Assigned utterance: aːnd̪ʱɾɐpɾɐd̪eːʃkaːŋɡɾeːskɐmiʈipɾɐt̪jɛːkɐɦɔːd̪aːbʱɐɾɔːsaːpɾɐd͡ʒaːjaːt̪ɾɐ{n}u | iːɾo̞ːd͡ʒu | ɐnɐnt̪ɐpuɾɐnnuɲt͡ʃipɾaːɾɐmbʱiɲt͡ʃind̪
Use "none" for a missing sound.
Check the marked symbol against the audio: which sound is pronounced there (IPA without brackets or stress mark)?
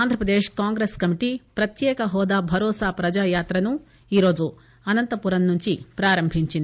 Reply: n